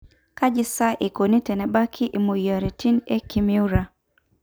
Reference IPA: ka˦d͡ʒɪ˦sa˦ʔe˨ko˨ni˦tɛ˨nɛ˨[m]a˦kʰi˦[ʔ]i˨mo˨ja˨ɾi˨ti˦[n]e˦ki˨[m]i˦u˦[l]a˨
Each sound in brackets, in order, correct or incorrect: incorrect, correct, correct, correct, incorrect

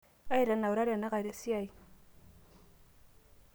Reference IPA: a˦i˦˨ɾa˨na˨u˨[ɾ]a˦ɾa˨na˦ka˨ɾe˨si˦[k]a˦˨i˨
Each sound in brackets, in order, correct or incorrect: correct, incorrect

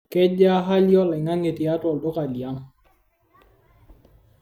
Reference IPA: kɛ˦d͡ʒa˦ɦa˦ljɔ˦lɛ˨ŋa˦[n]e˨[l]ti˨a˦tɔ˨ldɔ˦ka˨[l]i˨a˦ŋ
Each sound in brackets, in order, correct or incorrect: incorrect, incorrect, correct

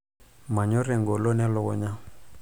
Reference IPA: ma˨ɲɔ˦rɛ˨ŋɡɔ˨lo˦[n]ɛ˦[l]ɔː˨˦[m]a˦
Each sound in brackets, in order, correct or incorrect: correct, correct, incorrect

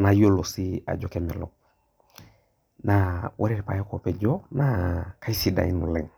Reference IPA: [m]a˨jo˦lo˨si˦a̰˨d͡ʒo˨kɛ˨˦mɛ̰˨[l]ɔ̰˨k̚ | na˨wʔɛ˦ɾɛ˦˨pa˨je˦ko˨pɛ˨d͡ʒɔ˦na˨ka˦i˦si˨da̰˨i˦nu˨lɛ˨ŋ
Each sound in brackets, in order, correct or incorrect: incorrect, correct

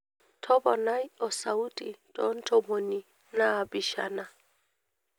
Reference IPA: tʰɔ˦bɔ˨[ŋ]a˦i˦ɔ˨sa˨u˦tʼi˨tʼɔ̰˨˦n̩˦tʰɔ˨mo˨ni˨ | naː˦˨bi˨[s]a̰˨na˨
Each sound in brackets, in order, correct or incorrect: incorrect, incorrect

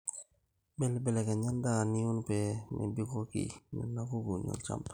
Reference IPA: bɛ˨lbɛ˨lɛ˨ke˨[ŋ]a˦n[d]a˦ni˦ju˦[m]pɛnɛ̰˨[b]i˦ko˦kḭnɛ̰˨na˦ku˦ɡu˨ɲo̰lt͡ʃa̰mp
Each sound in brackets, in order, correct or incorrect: incorrect, correct, incorrect, correct

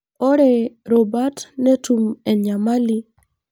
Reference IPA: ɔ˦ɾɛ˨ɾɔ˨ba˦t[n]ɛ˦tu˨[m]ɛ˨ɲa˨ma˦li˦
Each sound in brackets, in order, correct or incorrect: correct, correct

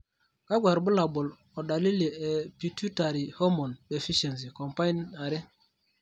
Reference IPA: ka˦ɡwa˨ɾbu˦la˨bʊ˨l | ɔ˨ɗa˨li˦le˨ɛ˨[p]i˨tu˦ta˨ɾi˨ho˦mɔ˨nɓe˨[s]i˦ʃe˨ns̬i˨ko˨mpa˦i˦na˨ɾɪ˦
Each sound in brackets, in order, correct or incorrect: correct, incorrect

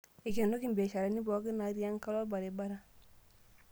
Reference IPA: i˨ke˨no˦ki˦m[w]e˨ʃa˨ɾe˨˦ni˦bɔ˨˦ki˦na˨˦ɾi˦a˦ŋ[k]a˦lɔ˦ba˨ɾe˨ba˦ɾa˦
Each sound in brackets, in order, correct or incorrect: incorrect, correct

